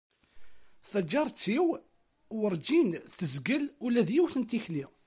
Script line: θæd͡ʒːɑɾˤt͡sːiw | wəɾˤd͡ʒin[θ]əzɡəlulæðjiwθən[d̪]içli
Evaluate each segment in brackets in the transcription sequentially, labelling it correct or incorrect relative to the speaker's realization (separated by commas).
correct, incorrect